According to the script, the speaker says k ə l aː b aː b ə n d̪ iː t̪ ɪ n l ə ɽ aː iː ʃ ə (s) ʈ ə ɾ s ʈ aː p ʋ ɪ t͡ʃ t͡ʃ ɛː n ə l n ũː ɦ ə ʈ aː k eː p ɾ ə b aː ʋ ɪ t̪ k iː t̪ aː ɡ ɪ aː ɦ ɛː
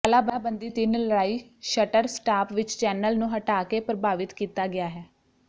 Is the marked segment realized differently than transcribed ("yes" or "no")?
yes